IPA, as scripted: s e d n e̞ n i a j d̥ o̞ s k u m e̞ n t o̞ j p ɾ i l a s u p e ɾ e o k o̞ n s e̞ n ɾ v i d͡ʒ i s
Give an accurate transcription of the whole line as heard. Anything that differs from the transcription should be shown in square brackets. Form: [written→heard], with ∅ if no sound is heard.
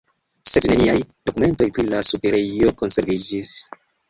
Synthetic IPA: s e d n e̞ n i a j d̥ o̞ [s→∅] k u m e̞ n t o̞ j p ɾ i l a s u p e ɾ e o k o̞ n s e̞ [n→∅] ɾ v i d͡ʒ i s